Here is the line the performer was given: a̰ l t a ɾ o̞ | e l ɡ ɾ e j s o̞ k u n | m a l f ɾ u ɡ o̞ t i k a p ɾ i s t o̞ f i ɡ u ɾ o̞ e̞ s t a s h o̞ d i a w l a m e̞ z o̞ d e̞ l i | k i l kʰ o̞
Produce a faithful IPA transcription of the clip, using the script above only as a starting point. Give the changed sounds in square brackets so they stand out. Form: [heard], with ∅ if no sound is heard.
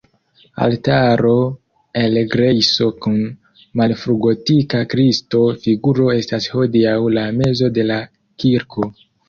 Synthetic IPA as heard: a̰ l t a ɾ o̞ | e l ɡ ɾ e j s o̞ k u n | m a l f ɾ u ɡ o̞ t i k a [k] ɾ i s t o̞ f i ɡ u ɾ o̞ e̞ s t a s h o̞ d i a w l a m e̞ z o̞ d e̞ l [a] | k i [ɾ] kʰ o̞